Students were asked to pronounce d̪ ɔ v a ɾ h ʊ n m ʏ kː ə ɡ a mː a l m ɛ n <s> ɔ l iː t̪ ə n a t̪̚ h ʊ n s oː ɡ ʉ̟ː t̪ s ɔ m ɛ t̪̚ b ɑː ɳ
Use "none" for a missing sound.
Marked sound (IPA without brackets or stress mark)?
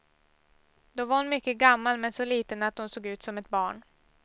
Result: s